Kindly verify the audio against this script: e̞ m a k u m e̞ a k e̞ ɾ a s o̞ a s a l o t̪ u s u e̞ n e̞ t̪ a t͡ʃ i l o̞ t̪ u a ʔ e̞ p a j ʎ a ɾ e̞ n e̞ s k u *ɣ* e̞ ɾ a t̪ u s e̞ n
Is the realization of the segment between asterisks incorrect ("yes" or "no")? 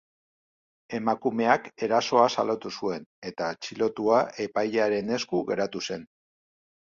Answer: no